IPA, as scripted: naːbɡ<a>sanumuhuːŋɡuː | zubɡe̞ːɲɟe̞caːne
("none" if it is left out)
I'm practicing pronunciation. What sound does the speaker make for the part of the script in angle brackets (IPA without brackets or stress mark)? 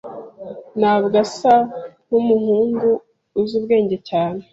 a